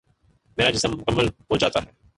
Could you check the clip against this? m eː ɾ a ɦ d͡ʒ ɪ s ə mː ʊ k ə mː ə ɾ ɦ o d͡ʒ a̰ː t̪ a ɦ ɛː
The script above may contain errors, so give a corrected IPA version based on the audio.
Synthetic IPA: m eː ɾ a d͡ʒ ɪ s ə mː ʊ k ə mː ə l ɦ o d͡ʒ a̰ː t̪ a ɦ ɛː